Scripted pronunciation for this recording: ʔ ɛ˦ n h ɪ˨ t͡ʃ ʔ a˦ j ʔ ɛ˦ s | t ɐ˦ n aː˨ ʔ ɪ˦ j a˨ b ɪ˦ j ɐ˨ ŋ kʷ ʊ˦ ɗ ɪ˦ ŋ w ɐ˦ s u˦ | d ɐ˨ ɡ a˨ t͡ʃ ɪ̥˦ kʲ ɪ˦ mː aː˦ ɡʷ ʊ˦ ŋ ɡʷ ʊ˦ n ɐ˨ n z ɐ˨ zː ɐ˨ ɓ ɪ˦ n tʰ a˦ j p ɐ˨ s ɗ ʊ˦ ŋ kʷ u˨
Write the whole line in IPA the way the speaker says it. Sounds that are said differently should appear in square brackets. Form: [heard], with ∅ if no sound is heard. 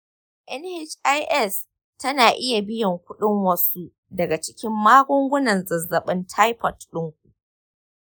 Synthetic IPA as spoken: ʔ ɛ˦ n h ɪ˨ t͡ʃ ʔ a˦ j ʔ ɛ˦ s | t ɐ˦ n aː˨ ʔ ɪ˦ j a˨ b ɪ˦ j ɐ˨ ŋ kʷ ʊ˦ ɗ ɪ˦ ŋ w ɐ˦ s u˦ | d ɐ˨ ɡ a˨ t͡ʃ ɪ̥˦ kʲ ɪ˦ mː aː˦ ɡʷ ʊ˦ ŋ ɡʷ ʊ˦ n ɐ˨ n z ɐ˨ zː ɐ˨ ɓ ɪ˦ n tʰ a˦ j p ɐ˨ [t] ɗ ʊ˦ ŋ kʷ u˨